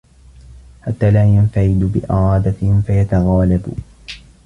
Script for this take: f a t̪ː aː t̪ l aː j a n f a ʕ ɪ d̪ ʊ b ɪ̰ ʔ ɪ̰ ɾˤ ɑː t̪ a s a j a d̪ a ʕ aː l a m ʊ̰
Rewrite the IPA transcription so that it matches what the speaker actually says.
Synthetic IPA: ħ a t̪ː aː l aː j a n f a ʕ ɪ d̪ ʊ b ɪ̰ ʔ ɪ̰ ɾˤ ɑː d̪ a f a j a t̪ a ɣ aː l a b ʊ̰